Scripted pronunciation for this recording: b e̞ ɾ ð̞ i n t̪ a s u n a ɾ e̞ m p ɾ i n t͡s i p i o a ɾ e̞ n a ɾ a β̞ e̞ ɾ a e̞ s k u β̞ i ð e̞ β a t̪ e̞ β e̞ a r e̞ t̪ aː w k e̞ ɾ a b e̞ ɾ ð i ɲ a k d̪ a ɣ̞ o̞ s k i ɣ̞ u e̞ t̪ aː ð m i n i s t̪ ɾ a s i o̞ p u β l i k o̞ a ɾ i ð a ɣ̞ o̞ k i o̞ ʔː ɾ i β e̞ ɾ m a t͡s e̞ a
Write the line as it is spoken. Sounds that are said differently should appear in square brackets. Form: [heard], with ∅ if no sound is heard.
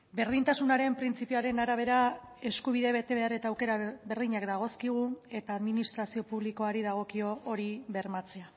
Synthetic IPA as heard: b e̞ ɾ ð̞ i n t̪ a s u n a ɾ e̞ m p ɾ i n t͡s i p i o a ɾ e̞ n a ɾ a β̞ e̞ ɾ a e̞ s k u β̞ i ð e̞ β [e] t̪ e̞ β e̞ a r e̞ t̪ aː w k e̞ ɾ a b e̞ ɾ ð i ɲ a k d̪ a ɣ̞ o̞ s k i ɣ̞ u e̞ t̪ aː ð m i n i s t̪ ɾ a s i o̞ p u β l i k o̞ a ɾ i ð a ɣ̞ o̞ k i o̞ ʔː ɾ i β e̞ ɾ m a t͡s e̞ a